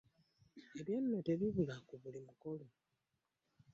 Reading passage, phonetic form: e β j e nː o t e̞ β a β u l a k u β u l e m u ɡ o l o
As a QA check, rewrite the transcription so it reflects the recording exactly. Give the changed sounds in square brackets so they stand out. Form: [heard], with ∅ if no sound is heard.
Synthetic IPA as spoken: e β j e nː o t e̞ β [i] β u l a k u β u l [i] m u [k] o l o